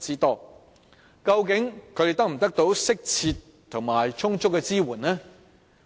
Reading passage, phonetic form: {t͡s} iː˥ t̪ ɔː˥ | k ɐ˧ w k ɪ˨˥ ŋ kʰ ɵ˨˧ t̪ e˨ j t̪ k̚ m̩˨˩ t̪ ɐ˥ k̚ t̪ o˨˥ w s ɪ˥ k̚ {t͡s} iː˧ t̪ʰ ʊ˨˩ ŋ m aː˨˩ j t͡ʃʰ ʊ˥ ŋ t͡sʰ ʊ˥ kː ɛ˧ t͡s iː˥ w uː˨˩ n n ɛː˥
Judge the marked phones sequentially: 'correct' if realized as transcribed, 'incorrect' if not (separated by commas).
correct, incorrect